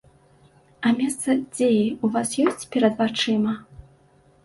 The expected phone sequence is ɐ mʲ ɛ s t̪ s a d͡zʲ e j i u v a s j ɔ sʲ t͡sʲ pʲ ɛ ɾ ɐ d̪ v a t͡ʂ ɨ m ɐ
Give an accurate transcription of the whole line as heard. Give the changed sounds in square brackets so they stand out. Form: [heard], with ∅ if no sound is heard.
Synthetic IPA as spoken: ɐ mʲ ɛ s t̪ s [ɐ] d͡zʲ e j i u v a s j ɔ sʲ t͡sʲ pʲ ɛ ɾ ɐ d̪ v a t͡ʂ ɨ m ɐ